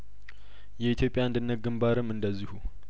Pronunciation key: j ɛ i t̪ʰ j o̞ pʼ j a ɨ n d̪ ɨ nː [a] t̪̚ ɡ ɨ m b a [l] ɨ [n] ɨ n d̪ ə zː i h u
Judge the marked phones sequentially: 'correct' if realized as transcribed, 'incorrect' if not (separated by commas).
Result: incorrect, incorrect, incorrect